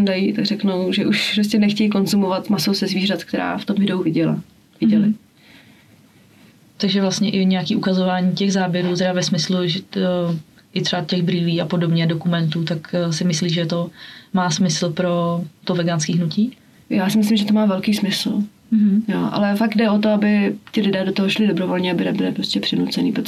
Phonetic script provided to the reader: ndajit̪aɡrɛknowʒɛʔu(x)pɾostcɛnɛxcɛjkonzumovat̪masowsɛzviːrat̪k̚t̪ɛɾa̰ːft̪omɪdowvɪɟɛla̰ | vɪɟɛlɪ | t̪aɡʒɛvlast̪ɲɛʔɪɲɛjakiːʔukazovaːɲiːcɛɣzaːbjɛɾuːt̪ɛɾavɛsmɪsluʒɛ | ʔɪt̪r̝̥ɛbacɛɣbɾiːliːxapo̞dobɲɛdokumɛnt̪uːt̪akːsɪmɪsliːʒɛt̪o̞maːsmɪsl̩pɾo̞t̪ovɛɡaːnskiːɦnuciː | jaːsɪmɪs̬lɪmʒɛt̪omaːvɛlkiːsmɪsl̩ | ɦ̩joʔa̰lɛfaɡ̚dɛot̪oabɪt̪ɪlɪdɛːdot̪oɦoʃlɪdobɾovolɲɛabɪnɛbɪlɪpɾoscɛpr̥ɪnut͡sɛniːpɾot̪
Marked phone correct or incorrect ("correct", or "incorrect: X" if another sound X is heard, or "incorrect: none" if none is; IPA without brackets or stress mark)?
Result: incorrect: ʃ